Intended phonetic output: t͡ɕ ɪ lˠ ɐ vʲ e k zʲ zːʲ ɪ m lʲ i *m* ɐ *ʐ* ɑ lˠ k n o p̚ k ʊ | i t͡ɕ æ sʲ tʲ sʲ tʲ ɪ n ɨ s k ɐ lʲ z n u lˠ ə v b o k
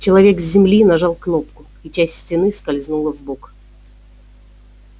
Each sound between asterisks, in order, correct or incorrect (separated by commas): incorrect, correct